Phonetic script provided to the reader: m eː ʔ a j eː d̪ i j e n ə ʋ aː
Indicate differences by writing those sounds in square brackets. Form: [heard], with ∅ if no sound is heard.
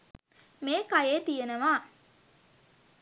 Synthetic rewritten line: m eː [k] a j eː [t̪] i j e n ə ʋ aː